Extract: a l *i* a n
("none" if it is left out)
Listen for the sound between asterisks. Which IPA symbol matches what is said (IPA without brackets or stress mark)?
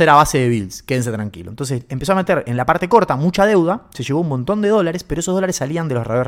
i